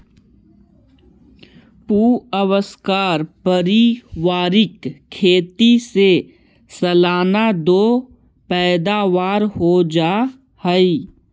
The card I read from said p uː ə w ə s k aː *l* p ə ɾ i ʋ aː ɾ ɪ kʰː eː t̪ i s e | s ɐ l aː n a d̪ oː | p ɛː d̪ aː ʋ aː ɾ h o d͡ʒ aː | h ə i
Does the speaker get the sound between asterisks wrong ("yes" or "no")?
yes